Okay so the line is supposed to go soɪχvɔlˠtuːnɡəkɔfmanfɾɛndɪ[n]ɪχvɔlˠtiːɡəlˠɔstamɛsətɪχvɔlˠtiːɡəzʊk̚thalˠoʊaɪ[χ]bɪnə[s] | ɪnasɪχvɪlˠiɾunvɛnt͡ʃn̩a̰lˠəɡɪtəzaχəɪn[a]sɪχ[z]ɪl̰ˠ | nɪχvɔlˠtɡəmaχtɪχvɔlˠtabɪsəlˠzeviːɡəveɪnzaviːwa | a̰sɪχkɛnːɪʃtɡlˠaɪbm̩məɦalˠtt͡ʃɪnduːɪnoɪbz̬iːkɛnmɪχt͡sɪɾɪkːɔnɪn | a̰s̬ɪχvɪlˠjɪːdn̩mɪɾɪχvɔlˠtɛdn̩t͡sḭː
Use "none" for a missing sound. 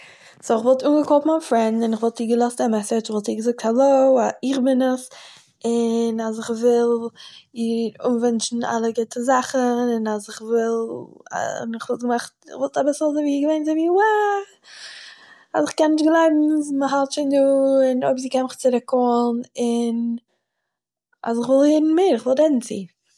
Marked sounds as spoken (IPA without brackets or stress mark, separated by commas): n, χ, s, a, v